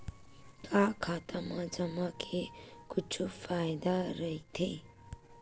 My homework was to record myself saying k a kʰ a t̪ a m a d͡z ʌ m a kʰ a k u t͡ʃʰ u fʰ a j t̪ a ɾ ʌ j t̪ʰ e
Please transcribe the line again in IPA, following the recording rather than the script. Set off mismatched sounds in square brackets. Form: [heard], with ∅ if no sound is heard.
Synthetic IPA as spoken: k a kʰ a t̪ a m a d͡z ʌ m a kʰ [e] k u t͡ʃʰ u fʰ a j [d̪] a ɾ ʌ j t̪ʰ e